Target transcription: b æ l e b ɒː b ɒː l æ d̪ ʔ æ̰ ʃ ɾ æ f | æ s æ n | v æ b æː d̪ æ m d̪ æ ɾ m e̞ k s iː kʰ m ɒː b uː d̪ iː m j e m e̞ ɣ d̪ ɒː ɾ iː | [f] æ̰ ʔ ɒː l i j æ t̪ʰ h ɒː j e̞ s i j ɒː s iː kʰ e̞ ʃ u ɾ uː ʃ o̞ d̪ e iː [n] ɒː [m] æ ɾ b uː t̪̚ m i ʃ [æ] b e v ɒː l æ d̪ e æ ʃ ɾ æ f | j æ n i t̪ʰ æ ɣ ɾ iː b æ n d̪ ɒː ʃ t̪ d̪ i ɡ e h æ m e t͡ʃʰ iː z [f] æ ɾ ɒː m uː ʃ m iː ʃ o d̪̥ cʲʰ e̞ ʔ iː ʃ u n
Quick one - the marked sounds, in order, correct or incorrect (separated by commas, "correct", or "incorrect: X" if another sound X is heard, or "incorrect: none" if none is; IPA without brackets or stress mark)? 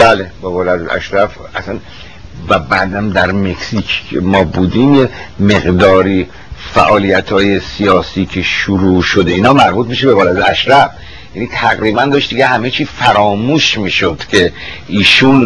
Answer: correct, correct, correct, incorrect: e, correct